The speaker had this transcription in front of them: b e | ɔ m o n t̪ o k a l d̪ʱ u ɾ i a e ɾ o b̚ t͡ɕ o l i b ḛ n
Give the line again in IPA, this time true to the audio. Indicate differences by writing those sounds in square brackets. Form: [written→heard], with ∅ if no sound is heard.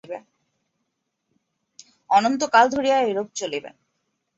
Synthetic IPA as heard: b e | ɔ [m→n] o n t̪ o k a l d̪ʱ [u→o] ɾ i a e ɾ o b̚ t͡ɕ o l i b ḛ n